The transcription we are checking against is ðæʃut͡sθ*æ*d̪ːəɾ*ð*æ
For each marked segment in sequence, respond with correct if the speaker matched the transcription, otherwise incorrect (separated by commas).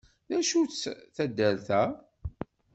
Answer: correct, incorrect